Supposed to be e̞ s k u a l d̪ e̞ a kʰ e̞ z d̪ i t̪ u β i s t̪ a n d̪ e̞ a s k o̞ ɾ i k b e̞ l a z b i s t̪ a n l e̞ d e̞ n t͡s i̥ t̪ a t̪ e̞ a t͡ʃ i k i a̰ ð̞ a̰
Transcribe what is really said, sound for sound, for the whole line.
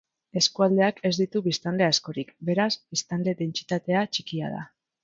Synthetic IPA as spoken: e̞ s k u a l d̪ e̞ a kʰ e̞ z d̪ i t̪ u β i s t̪ a n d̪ e̞ a s k o̞ ɾ i k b e̞ ɾ a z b i s t̪ a n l e̞ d e̞ n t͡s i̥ t̪ a t̪ e̞ a t͡ʃ i k i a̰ ð̞ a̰